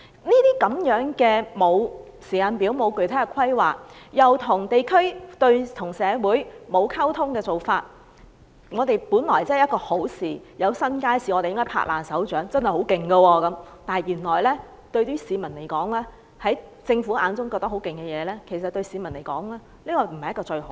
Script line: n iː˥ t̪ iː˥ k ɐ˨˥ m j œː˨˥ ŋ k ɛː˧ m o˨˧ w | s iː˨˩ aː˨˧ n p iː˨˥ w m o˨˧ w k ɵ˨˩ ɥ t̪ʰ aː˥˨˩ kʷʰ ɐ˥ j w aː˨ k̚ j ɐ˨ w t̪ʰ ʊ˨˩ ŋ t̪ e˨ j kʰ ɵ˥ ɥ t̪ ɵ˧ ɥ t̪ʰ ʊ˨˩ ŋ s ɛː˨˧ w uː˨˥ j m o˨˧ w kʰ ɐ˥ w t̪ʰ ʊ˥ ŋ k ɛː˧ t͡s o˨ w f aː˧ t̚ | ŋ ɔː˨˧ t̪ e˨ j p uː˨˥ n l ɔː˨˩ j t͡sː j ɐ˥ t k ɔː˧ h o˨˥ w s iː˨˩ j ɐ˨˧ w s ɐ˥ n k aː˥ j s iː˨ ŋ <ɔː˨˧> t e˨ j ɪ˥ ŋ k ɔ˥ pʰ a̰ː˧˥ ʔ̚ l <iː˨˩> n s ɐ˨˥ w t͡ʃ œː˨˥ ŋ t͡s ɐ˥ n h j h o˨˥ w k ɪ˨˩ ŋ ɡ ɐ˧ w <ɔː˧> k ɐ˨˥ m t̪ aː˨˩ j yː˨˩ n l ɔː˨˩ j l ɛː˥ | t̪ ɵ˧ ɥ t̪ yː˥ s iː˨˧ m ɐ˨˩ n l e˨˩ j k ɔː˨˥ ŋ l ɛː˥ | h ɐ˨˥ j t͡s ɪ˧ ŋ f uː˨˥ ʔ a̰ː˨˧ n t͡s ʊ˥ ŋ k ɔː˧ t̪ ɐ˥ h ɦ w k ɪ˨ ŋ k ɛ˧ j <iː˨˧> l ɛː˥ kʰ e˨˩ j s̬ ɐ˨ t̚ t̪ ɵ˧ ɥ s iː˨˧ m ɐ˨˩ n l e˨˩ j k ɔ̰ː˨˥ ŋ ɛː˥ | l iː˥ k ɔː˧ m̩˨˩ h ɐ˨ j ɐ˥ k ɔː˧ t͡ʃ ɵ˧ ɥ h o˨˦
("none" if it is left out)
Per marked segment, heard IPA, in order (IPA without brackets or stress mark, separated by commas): ɔ˨˧, aː˨˩, ɔː˧, ɛː˨˧